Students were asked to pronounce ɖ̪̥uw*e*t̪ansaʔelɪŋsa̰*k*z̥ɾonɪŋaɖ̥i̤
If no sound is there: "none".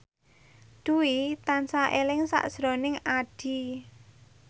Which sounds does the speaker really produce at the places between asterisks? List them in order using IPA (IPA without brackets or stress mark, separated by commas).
i, ʔ